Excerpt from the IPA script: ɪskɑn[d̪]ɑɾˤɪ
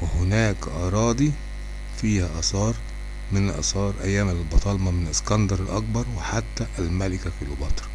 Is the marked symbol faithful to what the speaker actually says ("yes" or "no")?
yes